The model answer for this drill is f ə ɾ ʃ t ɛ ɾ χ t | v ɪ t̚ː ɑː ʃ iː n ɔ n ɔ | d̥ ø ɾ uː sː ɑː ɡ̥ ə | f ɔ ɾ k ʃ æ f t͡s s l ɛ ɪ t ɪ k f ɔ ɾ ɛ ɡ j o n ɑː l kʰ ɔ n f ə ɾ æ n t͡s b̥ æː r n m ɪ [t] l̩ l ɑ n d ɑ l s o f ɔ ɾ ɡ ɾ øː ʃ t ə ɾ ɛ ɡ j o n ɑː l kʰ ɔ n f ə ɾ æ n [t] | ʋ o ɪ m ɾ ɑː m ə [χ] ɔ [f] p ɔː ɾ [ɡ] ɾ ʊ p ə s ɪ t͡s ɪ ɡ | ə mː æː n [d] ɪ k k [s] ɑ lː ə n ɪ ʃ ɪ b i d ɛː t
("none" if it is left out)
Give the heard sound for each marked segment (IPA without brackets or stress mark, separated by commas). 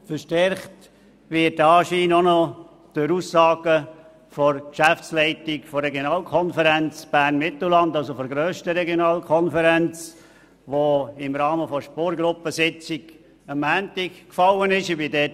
t, t͡s, f, ʃ, ɡ, t, f